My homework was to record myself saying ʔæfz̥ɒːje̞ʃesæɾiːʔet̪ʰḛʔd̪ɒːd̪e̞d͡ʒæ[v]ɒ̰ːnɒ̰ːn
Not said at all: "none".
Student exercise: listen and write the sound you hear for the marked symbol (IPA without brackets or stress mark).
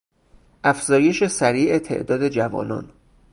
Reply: v